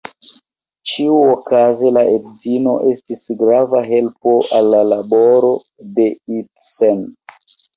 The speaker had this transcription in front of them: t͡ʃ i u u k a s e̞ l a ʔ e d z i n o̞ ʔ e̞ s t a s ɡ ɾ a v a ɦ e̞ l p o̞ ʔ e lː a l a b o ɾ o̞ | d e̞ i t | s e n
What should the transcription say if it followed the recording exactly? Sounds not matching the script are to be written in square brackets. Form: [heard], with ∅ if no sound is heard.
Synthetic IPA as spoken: t͡ʃ i u [o] k a [z] e̞ l a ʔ e d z i n o̞ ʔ e̞ s t [i] s ɡ ɾ a v a ɦ e̞ l p o̞ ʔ [a] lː a l a b o ɾ o̞ | d e̞ i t | s e n